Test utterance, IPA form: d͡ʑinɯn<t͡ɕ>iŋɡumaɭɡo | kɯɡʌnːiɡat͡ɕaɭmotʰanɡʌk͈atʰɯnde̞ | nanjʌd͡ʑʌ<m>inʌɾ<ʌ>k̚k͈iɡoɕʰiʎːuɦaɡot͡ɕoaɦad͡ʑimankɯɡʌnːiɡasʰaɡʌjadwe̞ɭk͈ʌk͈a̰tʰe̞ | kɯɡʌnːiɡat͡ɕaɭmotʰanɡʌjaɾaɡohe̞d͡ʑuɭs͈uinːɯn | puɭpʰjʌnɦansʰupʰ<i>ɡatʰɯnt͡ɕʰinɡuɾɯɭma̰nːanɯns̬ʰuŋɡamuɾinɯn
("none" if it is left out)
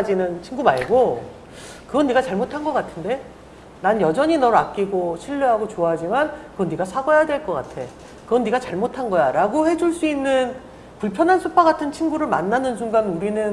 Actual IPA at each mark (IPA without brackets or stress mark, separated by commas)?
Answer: t͡ɕʰ, ɲ, a, a